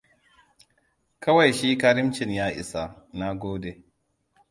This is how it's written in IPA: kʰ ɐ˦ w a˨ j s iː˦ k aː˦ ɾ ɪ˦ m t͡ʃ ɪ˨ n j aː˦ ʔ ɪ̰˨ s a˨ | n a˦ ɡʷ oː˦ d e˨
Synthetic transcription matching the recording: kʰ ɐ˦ w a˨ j ʃ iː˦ k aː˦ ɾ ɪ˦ m t͡ʃ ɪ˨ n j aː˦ ʔ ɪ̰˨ s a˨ | n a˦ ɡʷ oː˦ d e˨